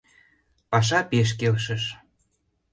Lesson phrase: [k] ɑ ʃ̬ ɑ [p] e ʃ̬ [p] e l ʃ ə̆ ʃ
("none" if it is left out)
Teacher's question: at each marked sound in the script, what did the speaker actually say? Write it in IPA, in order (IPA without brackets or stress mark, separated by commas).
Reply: p, p, k